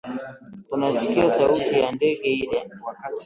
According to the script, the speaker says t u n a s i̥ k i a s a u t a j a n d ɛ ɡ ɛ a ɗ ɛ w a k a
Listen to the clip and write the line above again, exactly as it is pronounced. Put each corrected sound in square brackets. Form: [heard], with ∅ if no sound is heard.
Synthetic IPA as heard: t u n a s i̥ k i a s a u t [i] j a n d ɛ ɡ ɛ [i] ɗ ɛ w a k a